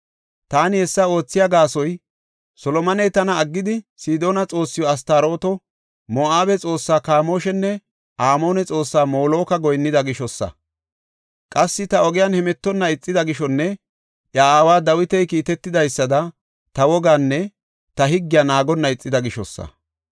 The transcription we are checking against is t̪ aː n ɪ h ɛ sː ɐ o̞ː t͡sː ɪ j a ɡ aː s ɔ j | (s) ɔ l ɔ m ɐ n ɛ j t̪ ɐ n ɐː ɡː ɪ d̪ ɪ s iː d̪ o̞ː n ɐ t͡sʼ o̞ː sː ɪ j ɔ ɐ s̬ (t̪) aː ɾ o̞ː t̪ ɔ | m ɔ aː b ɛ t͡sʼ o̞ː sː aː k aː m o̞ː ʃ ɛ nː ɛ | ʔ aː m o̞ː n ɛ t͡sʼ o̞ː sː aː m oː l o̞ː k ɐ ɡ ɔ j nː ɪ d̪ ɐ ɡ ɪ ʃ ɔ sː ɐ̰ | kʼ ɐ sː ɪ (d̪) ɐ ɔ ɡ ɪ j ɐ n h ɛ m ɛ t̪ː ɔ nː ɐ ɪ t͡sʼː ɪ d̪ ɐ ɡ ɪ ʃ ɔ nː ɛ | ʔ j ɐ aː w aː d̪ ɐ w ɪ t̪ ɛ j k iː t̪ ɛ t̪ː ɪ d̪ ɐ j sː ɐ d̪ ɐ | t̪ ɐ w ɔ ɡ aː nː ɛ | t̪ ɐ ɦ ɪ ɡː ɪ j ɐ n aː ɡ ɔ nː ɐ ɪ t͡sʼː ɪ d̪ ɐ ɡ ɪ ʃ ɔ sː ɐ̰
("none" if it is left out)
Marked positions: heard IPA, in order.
s, t̪, t̪

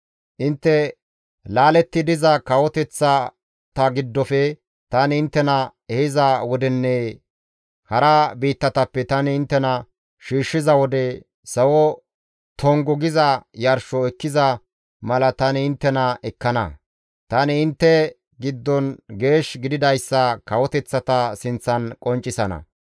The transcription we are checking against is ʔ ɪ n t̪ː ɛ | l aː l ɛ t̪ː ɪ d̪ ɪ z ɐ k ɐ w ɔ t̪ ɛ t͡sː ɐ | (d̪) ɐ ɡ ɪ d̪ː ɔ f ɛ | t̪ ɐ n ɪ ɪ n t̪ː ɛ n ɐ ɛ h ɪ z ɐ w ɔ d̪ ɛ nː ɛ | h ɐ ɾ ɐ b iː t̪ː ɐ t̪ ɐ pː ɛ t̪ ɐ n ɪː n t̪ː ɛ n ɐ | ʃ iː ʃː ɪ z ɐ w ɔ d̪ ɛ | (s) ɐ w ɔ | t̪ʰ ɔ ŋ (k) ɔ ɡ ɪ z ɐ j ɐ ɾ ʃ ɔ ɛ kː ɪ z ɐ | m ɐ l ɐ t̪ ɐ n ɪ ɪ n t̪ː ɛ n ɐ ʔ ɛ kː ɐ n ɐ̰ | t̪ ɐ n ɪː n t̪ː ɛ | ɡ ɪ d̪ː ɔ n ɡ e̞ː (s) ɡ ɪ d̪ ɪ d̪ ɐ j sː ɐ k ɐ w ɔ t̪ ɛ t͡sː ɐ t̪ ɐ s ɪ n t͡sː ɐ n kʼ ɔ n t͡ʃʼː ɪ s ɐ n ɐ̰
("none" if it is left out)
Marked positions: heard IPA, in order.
t̪, s, ɡ, ʃ

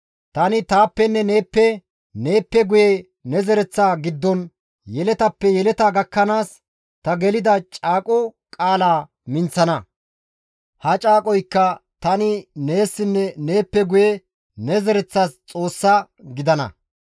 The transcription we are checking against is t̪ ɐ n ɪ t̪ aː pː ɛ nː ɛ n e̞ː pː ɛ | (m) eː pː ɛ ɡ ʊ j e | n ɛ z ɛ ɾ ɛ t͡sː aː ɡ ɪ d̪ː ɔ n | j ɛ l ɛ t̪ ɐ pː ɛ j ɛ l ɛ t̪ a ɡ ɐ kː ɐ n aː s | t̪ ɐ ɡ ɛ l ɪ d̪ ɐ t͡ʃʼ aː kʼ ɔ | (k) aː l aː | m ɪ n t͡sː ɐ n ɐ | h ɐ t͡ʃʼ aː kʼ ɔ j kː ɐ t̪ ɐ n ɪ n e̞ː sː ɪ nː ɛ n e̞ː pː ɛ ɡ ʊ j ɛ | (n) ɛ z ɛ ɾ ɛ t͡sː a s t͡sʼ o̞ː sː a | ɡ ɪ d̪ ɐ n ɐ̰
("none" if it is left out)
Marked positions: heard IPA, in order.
n, kʼ, n

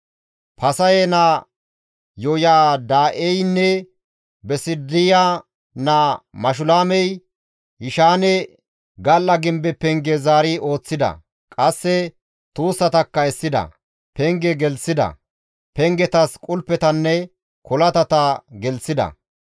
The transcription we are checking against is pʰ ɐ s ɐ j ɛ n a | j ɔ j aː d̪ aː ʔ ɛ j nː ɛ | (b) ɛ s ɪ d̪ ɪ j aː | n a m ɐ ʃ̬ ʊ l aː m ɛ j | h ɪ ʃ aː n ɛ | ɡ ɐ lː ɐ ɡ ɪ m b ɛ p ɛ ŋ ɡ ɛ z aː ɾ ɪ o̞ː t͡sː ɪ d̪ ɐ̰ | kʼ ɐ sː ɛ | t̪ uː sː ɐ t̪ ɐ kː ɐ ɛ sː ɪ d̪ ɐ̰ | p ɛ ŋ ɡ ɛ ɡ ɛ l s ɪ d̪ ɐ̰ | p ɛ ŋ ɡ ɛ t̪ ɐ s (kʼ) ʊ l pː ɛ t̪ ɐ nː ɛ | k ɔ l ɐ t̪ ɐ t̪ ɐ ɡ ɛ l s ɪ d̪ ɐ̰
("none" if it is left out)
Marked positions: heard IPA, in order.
b, kʼ

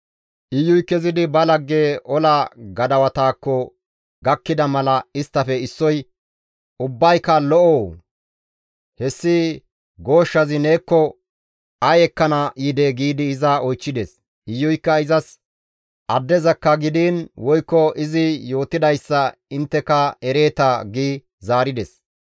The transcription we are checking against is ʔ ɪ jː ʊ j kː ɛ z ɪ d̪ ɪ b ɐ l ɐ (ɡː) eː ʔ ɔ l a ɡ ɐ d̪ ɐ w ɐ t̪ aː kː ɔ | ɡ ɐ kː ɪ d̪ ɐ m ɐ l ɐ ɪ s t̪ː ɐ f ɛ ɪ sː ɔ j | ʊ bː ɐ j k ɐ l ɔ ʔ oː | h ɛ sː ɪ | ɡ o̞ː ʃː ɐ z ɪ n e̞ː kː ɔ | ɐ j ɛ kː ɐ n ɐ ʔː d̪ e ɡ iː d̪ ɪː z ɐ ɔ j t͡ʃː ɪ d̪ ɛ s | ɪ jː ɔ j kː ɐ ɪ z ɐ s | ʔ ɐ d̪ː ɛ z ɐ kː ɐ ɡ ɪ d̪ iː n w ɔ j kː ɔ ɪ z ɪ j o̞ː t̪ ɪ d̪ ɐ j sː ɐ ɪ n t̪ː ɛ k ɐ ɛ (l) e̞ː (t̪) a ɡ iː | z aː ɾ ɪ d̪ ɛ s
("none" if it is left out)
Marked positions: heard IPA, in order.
ɡː, ɾ, t̪

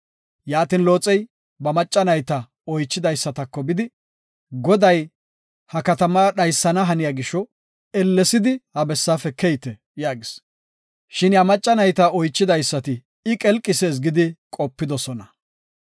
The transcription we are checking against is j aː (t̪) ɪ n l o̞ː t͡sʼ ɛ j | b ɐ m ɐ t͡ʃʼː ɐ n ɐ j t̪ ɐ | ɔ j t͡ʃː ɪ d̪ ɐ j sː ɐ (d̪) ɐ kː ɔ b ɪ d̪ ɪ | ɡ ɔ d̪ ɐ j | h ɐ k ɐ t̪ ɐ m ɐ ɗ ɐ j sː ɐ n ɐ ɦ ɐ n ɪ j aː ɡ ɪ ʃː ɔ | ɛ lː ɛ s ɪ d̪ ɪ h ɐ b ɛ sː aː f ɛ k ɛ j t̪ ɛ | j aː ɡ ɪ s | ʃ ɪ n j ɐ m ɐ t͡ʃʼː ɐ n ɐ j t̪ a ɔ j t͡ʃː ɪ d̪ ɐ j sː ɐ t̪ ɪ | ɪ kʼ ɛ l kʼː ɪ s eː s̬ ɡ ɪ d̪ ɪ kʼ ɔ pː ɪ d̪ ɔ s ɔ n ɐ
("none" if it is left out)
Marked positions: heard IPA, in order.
t̪, t̪

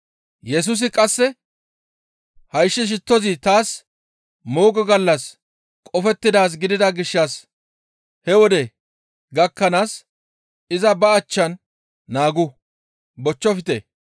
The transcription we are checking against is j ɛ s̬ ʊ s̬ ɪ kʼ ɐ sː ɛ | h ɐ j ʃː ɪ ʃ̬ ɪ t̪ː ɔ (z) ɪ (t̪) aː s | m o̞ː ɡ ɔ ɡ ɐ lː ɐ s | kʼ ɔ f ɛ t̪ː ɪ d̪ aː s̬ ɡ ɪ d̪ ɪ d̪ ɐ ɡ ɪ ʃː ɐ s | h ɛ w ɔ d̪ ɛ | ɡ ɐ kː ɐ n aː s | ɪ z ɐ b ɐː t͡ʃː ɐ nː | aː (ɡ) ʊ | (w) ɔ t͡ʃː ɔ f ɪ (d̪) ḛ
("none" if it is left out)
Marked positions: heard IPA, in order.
z, t̪, ɡ, b, t̪

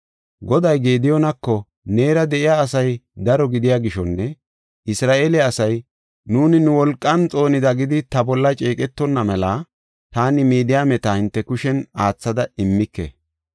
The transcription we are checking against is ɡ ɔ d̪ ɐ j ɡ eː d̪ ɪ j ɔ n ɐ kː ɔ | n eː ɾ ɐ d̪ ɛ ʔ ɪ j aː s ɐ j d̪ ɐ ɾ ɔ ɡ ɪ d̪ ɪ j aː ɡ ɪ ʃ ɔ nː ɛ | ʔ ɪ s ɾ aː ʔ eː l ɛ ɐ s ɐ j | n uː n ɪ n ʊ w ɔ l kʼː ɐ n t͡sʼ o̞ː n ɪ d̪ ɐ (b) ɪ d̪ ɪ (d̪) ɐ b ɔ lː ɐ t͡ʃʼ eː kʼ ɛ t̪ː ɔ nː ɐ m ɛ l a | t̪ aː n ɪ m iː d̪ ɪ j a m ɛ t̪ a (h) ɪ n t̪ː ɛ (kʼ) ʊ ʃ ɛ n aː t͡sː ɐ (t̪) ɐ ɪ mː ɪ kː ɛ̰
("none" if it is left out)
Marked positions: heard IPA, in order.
ɡ, t̪, h, k, d̪

